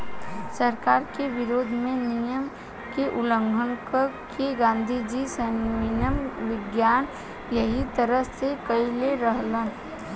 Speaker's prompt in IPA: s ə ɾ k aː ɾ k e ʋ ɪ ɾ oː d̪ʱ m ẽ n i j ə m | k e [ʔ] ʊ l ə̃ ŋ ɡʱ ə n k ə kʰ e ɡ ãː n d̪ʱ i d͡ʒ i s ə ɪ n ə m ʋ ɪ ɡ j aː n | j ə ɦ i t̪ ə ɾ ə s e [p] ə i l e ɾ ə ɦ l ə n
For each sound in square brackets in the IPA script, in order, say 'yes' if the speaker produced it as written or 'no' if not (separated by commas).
yes, no